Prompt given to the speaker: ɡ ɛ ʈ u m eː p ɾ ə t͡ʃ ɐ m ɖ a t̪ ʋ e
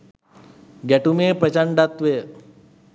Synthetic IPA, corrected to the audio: ɡ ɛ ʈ u m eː p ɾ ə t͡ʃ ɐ ɳ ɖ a t̪ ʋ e